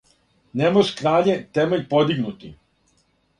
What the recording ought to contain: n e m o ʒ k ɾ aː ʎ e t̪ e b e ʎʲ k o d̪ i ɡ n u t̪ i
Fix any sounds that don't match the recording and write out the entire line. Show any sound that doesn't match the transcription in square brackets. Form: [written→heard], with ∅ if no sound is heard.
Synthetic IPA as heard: n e m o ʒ k ɾ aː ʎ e t̪ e [b→m] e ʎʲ [k→p] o d̪ i ɡ n u t̪ i